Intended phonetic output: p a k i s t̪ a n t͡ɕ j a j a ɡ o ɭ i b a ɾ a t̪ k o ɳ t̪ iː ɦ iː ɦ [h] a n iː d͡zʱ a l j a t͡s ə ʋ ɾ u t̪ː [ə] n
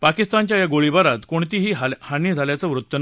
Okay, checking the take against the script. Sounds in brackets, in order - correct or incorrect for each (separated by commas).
correct, correct